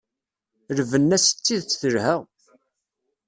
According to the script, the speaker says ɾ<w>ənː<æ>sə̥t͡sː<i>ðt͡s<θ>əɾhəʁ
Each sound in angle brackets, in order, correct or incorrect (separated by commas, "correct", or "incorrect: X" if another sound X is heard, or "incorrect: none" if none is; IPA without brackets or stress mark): incorrect: v, correct, correct, correct